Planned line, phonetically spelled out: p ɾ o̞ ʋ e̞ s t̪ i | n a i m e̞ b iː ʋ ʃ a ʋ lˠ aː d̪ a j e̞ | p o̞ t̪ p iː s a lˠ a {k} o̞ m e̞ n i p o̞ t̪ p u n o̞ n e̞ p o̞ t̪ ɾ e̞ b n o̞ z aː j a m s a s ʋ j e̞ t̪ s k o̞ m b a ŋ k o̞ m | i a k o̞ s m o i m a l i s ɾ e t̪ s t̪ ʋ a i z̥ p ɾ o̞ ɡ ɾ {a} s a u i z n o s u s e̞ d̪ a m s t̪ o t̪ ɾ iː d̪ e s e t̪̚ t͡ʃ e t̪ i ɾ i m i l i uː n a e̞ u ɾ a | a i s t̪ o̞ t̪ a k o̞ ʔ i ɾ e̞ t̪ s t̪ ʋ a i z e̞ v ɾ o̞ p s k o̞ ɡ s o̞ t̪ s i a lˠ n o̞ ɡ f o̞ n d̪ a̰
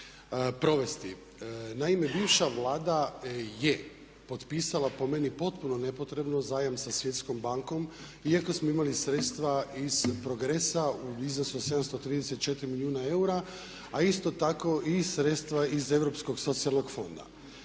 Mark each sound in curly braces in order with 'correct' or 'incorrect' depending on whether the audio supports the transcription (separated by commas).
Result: incorrect, incorrect